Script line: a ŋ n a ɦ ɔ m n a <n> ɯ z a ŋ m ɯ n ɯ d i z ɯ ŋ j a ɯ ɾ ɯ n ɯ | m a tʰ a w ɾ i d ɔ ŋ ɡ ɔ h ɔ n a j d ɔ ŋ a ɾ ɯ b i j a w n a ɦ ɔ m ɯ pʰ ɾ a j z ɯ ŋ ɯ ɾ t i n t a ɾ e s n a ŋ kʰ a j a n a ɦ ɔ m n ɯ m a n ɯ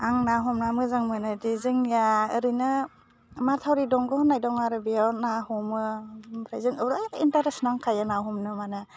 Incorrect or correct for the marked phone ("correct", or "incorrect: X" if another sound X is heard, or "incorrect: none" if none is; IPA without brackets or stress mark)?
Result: incorrect: m